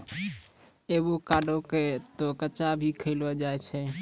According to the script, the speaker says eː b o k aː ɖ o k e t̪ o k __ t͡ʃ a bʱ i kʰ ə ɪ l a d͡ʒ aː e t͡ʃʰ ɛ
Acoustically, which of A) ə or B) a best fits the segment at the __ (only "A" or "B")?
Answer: A